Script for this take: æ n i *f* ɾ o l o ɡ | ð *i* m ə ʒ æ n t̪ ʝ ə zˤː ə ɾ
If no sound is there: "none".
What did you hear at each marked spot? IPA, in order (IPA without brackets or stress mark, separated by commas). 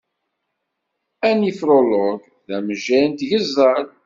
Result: f, æ